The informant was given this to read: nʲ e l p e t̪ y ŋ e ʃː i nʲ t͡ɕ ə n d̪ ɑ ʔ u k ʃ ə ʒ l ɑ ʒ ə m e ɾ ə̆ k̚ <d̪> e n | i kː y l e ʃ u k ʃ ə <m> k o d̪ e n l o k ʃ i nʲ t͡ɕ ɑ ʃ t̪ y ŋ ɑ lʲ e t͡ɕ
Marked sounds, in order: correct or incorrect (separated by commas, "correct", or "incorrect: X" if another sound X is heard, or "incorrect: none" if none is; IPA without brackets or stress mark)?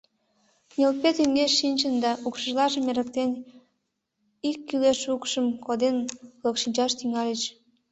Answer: incorrect: t̪, correct